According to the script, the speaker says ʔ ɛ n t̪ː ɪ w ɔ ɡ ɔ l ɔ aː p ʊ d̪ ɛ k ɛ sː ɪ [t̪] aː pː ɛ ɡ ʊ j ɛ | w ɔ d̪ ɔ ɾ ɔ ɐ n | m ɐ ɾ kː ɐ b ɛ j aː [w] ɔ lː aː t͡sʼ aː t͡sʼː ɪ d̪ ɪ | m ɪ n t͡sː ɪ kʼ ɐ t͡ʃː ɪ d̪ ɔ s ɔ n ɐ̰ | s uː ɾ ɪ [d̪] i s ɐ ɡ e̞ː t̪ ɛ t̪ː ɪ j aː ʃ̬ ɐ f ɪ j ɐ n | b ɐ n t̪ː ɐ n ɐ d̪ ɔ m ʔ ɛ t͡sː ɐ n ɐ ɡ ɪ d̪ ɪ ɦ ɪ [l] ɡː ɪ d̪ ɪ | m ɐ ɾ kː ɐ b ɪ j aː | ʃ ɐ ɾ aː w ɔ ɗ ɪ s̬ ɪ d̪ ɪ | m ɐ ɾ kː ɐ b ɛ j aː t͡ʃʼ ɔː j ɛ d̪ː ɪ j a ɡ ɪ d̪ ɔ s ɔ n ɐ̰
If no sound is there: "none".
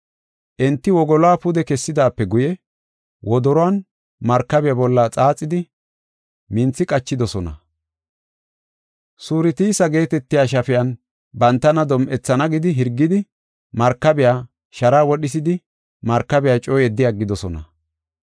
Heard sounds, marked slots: d̪, b, t̪, ɾ

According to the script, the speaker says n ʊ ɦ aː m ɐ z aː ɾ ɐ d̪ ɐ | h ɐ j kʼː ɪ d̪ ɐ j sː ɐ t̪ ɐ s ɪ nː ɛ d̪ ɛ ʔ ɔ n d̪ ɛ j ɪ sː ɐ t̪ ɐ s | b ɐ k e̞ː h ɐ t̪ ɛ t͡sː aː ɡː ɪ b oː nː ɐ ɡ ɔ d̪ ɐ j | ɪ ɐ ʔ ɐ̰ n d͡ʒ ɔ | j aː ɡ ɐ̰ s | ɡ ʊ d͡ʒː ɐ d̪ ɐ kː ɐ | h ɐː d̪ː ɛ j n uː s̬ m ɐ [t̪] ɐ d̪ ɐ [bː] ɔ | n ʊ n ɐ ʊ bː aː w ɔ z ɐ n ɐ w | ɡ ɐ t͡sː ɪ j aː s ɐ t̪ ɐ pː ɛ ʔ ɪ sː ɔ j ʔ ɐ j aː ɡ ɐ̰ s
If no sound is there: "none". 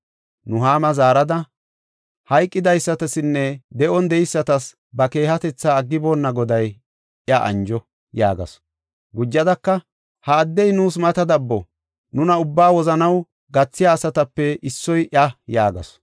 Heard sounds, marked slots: t̪, bː

